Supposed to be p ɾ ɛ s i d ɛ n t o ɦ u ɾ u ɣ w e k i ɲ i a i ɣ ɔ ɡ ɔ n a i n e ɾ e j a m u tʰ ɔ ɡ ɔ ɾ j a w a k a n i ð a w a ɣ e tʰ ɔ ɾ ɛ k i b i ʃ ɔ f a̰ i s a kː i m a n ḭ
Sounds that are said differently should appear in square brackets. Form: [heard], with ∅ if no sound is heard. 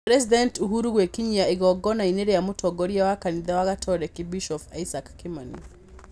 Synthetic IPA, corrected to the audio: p ɾ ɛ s i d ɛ n t [u] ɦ u ɾ u ɣ w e k i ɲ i a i ɣ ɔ ɡ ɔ n a i n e ɾ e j a m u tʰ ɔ ɡ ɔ ɾ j a w a k a n i ð a w a ɣ [a] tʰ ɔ ɾ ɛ k i b i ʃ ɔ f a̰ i s a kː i m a n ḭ